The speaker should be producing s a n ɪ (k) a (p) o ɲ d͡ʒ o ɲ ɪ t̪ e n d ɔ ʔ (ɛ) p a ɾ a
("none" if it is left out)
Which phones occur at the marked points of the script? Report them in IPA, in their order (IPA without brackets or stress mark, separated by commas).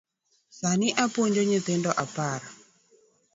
ʔ, p, a